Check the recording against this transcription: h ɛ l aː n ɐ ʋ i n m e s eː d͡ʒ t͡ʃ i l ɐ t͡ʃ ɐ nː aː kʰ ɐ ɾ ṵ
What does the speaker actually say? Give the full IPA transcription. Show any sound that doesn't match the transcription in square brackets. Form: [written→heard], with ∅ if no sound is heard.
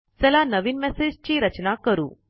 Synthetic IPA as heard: [h→s] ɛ l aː n ɐ ʋ i n m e s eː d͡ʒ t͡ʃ i [l→ɾ] ɐ t͡ʃ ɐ [nː→n] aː [kʰ→k] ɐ ɾ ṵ